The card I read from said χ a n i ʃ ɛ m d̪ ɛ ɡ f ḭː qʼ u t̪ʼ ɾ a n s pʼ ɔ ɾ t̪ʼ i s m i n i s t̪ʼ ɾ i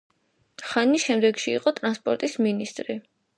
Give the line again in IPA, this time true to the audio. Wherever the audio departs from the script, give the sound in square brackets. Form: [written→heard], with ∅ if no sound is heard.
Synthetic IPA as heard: χ a n i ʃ ɛ m d̪ ɛ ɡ [f→ʃ] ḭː qʼ [u→ɔ] t̪ʼ ɾ a n s pʼ ɔ ɾ t̪ʼ i s m i n i s t̪ʼ ɾ i